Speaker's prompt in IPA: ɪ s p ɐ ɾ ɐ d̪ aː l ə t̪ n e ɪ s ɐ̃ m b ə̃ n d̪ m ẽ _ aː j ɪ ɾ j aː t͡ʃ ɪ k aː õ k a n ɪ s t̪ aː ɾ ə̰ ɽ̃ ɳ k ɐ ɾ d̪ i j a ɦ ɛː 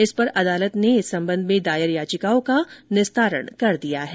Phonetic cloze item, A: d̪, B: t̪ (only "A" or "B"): A